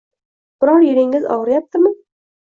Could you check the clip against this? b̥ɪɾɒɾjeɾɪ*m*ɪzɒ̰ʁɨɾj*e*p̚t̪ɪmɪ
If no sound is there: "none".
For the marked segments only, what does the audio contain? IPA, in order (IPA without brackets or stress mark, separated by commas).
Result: ŋ, a